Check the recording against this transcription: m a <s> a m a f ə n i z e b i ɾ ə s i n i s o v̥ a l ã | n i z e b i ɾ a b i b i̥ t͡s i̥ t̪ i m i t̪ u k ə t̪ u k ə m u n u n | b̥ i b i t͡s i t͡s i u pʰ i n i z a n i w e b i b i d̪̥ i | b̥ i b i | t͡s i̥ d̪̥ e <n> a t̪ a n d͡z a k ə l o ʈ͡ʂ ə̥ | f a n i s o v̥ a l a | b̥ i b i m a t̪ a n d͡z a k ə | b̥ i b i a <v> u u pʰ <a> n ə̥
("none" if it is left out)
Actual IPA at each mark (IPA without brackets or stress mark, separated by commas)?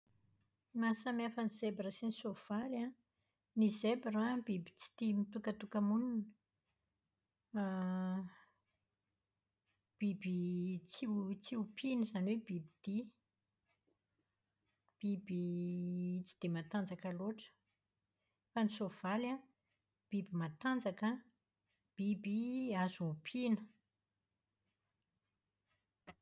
s, m, z, i